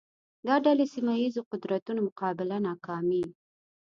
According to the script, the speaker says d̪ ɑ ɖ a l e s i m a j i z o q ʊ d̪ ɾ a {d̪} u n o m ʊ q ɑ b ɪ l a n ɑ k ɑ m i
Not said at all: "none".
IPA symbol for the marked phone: t̪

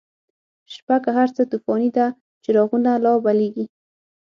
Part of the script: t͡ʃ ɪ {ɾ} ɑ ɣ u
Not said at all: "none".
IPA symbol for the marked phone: ɾ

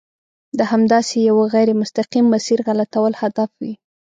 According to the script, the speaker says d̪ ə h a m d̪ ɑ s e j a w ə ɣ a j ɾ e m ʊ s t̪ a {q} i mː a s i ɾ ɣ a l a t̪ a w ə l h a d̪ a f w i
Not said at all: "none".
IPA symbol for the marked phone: q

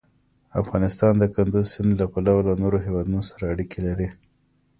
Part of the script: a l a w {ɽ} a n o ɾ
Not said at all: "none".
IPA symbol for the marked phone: l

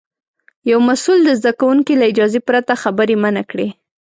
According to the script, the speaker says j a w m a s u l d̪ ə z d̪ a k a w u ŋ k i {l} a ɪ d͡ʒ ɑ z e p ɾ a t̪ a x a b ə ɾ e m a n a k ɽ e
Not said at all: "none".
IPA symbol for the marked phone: l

